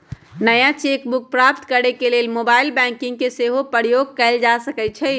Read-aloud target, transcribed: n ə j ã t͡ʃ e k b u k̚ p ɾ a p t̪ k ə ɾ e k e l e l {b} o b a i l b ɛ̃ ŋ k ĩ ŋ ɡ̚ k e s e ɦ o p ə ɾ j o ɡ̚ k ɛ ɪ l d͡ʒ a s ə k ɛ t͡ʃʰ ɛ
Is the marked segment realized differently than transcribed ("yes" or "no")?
yes